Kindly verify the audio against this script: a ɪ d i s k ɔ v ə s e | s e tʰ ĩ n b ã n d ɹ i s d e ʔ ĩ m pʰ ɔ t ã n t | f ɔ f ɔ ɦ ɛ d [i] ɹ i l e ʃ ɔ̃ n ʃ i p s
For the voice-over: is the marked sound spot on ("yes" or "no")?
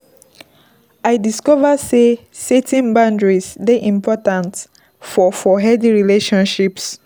yes